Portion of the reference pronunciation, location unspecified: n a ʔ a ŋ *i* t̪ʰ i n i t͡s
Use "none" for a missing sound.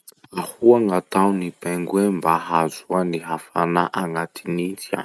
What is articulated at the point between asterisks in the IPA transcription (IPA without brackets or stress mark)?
a